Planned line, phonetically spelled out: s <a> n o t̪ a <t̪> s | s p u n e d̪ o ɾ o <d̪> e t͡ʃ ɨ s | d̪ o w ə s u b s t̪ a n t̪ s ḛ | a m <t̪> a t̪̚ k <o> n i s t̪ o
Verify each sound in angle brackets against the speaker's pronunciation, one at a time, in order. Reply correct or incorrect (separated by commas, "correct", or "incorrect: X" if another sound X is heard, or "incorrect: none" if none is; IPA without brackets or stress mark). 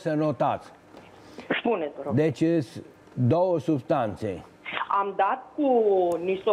incorrect: ə, correct, correct, incorrect: d̪, incorrect: u